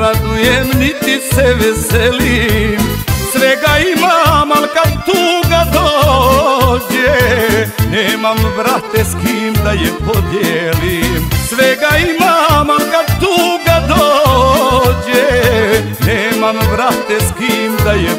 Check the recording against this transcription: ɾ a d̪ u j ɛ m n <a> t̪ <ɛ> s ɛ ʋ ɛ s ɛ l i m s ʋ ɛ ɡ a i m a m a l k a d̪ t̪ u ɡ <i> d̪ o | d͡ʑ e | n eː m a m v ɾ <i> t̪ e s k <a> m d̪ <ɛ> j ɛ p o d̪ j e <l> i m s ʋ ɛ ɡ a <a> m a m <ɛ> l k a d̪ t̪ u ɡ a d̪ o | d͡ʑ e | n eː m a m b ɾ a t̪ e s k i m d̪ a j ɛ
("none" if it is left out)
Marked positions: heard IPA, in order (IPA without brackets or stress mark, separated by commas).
i, i, a, a, i, a, l, i, a